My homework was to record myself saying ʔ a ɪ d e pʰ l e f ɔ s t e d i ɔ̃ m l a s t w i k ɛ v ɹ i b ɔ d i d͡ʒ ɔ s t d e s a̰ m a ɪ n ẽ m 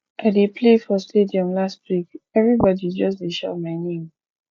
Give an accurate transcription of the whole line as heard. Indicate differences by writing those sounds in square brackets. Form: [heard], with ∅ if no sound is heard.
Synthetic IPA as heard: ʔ a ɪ d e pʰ l e f ɔ s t e d i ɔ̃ m l a s t w i k ɛ v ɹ i b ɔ d i d͡ʒ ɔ s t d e [ʃ] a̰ m a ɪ n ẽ m